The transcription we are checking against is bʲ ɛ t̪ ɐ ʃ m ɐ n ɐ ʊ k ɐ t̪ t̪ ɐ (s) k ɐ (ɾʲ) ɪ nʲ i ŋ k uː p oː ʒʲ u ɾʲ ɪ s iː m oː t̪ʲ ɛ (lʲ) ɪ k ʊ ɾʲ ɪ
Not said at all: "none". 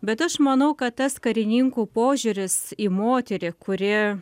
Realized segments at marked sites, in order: s, ɾʲ, ɾʲ

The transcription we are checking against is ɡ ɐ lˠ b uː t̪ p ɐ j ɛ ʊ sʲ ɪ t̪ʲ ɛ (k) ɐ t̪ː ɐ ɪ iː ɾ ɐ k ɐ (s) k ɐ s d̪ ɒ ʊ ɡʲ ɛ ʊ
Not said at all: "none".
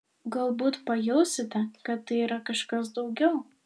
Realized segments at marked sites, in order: k, ʃ

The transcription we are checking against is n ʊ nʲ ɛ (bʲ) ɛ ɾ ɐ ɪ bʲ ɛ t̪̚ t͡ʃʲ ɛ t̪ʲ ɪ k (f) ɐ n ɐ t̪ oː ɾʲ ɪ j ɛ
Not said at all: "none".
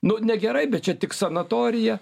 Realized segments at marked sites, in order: ɡʲ, s

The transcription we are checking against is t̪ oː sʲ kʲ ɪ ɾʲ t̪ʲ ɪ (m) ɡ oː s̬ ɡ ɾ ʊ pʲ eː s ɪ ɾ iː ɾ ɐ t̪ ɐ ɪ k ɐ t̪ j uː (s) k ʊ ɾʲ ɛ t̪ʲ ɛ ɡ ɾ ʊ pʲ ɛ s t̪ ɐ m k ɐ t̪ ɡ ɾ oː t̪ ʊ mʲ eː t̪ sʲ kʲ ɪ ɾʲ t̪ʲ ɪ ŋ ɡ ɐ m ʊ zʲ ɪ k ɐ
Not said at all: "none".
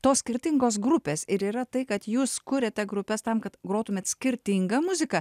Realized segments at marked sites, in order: ŋ, s

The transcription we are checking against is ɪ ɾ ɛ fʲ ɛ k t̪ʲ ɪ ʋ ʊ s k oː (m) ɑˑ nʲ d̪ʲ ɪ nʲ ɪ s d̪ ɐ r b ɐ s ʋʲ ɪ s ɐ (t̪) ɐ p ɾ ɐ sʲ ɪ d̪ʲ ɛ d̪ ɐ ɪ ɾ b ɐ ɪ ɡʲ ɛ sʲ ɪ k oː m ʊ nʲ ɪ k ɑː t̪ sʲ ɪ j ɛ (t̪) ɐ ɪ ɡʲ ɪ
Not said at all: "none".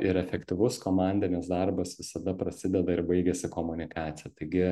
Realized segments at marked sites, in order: m, d̪, t̪

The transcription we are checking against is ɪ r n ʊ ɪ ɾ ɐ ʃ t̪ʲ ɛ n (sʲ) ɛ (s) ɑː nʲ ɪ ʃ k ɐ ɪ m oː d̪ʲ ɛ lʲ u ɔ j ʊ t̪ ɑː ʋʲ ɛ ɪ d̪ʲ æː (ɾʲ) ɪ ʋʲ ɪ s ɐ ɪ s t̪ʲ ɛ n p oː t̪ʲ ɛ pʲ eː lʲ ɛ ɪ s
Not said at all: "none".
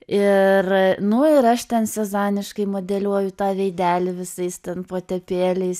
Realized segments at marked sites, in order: sʲ, z, lʲ

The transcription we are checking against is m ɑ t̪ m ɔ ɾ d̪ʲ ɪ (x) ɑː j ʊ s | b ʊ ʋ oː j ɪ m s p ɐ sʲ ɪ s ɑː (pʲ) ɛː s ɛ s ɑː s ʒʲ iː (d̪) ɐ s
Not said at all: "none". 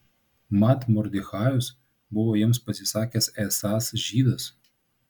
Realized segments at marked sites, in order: x, kʲ, d̪

